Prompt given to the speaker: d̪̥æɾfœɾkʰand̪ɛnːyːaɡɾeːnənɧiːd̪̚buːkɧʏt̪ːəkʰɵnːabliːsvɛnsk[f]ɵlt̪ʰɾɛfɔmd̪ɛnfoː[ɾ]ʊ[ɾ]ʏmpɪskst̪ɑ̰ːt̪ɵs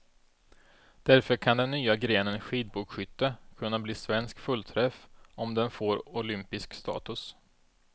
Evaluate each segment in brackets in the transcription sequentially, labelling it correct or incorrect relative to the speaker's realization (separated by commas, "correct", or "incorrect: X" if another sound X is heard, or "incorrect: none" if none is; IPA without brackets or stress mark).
correct, correct, incorrect: l